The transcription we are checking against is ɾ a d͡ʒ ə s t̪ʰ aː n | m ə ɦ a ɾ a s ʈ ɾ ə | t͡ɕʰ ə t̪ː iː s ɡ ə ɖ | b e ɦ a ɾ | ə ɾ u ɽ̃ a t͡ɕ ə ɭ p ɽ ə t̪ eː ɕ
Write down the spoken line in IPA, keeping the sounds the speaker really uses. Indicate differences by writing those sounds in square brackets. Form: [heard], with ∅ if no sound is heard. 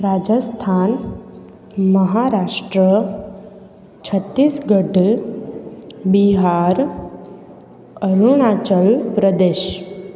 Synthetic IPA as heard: ɾ a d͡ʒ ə s t̪ʰ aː n | m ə ɦ a ɾ a [ʂ] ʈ ɾ ə | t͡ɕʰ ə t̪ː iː s ɡ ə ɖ | b [i] ɦ a ɾ | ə ɾ u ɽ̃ a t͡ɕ ə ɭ p [ɾ] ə [d̪] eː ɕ